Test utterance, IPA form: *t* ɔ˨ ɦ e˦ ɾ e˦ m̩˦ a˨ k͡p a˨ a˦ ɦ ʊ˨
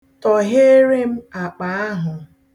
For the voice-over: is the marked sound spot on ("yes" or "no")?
yes